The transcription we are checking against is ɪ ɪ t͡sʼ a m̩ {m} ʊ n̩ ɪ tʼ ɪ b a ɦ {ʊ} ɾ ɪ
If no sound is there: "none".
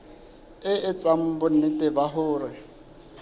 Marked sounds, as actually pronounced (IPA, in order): b, ʊː

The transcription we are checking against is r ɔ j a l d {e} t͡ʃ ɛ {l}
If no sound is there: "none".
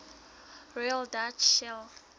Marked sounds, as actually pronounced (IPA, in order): a, l

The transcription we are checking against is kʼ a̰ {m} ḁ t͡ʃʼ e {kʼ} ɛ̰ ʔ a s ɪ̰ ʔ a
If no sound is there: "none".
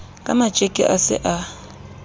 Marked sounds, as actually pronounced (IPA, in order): m, kʼ

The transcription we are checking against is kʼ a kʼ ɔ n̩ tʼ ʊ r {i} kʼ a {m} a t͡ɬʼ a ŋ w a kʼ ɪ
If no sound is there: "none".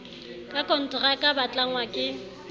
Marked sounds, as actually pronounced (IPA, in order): a, b

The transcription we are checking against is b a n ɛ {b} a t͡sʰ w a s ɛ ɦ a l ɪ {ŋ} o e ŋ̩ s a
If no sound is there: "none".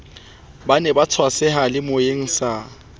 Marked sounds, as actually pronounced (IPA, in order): b, m

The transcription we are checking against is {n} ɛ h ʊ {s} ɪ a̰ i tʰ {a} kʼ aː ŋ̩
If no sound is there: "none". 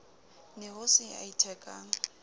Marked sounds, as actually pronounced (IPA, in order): n, s, ɛ

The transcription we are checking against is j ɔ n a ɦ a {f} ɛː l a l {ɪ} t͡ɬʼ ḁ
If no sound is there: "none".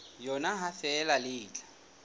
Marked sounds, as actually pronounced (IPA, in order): f, ɪː

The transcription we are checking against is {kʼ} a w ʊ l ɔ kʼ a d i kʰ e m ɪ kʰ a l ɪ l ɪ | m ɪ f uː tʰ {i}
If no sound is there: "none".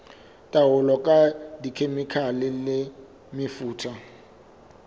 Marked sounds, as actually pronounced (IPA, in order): tʼ, a

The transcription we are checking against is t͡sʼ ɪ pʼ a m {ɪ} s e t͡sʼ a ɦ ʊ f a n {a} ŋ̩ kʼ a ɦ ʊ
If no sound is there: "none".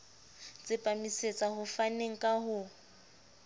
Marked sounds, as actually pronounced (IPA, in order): i, e

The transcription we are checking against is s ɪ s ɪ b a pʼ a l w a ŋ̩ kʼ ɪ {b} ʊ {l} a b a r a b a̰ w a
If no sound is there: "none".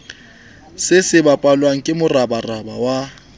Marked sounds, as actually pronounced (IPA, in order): m, r

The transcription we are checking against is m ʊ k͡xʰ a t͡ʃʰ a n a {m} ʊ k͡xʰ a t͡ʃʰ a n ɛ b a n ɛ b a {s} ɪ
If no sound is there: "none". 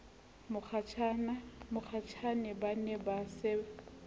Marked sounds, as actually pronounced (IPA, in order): m, s

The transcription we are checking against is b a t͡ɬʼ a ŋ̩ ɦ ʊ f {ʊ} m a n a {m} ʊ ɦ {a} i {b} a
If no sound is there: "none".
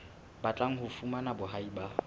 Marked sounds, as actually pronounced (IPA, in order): u, b, a, b

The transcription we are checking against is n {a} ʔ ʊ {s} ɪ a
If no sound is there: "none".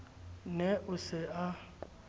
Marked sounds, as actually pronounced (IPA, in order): ɛ, s

